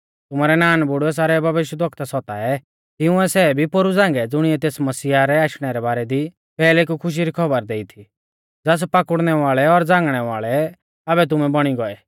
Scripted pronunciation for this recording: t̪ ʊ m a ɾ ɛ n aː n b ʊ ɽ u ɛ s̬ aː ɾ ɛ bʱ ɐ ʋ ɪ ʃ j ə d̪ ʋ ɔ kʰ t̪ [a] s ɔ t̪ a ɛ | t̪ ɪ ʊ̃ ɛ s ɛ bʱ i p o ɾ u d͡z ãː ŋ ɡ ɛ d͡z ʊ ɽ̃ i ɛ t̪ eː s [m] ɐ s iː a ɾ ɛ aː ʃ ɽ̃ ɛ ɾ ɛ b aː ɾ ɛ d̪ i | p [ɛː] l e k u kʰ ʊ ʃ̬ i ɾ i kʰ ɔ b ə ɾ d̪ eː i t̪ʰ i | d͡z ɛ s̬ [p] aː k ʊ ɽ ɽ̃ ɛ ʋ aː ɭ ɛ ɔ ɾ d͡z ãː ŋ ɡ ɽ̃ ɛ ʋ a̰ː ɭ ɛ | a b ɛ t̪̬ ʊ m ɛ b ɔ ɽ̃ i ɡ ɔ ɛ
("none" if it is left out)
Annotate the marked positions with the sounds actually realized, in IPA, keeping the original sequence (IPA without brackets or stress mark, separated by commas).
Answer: a, m, ɛː, p